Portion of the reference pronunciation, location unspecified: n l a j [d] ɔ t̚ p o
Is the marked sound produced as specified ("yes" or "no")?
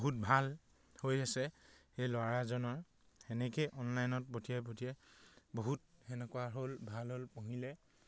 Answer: no